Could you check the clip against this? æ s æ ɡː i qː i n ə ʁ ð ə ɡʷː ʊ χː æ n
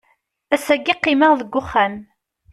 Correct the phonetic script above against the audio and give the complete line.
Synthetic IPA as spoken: æ s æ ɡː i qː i m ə ʁ ð ə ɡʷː ʊ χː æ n